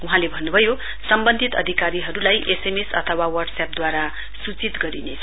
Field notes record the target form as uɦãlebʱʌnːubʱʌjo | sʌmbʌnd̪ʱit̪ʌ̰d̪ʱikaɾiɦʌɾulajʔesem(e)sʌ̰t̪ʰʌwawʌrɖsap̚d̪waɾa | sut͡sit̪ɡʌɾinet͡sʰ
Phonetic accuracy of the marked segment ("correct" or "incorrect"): correct